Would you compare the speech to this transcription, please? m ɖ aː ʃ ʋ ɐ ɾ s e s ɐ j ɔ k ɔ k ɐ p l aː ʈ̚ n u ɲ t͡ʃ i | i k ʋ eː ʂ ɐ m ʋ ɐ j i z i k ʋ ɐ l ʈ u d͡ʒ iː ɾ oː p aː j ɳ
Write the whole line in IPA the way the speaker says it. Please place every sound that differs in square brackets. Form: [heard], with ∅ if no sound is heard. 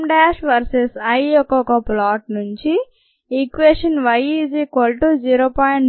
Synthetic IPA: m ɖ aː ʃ ʋ ɐ ɾ s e s ɐ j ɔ k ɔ k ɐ p l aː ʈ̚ n u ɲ t͡ʃ i | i k ʋ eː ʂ ɐ [n] ʋ ɐ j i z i k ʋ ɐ l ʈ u d͡ʒ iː ɾ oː p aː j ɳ